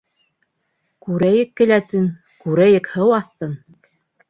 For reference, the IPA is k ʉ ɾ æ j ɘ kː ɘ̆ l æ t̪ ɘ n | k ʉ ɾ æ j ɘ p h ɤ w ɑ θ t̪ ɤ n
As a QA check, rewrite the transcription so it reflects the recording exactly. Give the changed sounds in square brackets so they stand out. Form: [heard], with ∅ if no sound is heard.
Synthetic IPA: k ʉ ɾ æ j ɘ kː ɘ̆ l æ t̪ ɘ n | k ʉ ɾ æ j ɘ [k] h ɤ w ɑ θ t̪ ɤ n